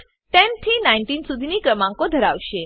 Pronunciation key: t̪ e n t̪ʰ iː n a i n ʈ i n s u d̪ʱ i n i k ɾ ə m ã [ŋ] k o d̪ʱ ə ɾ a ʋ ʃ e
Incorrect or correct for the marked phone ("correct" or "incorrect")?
correct